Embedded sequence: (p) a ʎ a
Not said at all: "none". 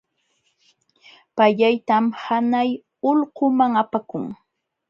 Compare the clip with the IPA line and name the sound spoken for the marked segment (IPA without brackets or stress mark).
p